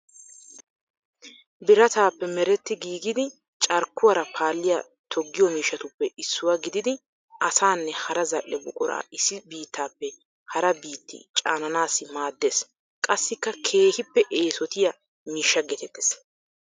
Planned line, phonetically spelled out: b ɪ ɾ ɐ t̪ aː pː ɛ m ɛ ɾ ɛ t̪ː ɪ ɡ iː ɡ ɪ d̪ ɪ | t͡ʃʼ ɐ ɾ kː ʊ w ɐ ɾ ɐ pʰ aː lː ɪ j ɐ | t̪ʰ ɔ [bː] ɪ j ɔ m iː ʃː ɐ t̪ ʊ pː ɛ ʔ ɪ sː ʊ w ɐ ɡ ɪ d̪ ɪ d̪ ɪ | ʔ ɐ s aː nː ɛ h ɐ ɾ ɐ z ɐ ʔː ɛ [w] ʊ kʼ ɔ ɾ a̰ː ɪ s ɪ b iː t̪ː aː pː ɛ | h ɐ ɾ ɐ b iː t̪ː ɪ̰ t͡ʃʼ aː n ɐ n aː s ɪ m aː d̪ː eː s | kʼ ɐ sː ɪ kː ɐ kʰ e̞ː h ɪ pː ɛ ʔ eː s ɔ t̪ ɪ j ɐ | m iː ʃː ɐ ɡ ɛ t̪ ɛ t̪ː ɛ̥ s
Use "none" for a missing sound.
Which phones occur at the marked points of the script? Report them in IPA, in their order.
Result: ɡː, b

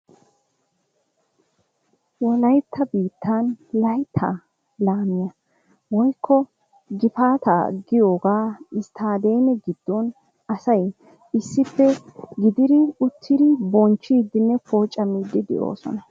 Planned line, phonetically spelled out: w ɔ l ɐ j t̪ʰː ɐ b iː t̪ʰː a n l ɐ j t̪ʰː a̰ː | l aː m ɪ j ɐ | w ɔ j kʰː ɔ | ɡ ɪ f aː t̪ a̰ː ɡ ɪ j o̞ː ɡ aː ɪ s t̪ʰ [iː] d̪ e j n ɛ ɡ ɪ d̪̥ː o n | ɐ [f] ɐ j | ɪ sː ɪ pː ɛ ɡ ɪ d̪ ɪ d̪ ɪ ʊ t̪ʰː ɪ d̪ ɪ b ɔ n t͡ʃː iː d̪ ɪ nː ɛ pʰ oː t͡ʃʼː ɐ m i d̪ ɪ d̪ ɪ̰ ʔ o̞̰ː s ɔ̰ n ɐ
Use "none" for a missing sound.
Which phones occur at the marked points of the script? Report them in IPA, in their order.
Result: aː, s

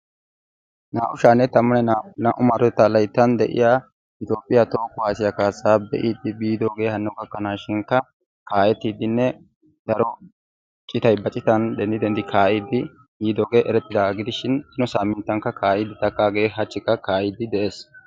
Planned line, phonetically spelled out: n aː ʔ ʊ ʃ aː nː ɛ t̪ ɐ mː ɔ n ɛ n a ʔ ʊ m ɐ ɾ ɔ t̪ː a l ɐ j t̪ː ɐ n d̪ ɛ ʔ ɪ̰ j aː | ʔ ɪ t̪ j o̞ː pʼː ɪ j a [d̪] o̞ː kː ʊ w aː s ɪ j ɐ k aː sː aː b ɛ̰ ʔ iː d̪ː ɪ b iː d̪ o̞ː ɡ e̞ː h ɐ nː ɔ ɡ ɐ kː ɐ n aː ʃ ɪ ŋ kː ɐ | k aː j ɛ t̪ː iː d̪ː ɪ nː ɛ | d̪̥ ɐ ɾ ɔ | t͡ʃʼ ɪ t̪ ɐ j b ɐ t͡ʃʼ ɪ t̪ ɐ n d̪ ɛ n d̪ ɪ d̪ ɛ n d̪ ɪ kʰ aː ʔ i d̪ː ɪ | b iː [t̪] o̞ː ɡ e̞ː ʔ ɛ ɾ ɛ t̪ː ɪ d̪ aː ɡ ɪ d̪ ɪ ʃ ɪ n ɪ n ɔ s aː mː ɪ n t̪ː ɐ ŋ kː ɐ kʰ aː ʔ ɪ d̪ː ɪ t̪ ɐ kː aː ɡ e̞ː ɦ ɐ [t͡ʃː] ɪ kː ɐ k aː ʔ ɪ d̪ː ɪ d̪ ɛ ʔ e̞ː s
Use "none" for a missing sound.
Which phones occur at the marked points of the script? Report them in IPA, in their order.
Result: t̪, d̪, t͡ʃː

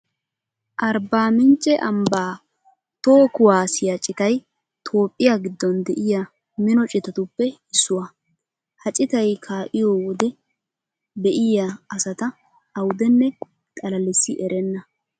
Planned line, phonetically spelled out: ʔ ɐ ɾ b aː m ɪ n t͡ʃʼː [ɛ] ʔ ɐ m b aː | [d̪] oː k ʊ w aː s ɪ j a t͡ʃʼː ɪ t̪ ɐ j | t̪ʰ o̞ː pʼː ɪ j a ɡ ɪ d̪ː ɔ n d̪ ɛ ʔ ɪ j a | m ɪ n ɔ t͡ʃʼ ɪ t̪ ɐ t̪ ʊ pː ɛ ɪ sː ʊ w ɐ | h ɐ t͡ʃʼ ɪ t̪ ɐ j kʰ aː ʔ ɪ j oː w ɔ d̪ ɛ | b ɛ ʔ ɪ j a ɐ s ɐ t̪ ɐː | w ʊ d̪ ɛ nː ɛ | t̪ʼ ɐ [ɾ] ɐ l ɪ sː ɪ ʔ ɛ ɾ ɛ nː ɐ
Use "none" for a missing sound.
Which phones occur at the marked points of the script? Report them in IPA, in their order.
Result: ɛ, t̪, l

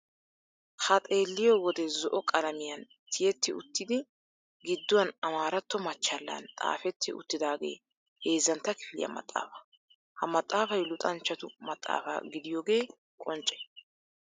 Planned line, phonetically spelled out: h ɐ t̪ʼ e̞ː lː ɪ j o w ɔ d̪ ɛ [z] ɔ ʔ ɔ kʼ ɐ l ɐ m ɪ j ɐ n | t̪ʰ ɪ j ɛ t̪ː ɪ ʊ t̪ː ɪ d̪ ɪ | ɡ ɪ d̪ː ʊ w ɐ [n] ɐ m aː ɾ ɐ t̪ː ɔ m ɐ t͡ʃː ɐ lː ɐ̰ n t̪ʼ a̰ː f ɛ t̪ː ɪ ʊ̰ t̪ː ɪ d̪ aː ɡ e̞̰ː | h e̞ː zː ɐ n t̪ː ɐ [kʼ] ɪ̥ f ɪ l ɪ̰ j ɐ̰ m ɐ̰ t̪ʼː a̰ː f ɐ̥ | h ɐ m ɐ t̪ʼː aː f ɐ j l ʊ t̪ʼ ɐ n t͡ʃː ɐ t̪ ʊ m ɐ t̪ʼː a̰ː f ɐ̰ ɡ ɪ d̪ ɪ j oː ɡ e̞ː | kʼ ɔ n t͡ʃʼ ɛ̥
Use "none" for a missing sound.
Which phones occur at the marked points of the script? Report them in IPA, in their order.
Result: z, n, k

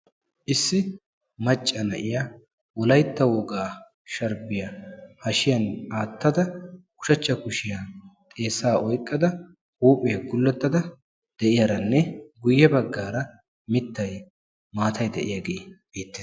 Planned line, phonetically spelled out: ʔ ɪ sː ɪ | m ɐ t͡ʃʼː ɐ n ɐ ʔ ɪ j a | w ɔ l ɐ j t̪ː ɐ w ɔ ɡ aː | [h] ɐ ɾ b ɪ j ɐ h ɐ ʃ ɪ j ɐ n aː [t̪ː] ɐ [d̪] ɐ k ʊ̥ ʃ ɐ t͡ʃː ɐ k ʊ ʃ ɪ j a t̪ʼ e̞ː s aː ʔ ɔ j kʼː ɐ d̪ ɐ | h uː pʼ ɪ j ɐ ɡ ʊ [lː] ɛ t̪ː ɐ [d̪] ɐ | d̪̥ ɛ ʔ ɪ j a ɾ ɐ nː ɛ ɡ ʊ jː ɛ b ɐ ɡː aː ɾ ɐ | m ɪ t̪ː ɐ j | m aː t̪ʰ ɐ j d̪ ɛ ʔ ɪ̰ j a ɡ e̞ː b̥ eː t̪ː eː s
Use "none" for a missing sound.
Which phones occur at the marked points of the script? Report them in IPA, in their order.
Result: ʃ, t̪ː, d̪, lː, d̪

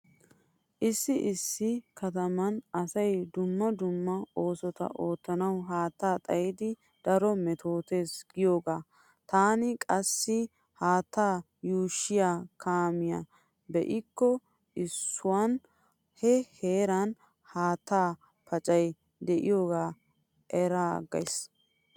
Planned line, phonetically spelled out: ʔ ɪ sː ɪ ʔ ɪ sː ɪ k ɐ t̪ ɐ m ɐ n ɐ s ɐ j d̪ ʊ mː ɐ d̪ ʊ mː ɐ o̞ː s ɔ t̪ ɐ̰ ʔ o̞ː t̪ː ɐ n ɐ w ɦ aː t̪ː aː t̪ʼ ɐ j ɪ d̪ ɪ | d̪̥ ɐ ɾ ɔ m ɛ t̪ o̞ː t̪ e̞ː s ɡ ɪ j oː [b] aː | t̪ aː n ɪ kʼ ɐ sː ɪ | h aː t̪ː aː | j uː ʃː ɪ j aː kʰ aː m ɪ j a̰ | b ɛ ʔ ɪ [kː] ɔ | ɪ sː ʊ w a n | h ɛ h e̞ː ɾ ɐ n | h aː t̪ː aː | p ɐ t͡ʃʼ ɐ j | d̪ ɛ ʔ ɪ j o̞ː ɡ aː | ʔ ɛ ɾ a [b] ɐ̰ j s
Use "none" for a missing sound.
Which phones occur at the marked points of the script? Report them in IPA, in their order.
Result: ɡ, kː, ɡ

